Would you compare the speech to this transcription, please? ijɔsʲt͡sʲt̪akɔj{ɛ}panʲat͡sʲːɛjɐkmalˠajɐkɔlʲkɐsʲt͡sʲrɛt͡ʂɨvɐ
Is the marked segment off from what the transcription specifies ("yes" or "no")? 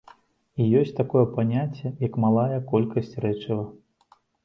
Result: no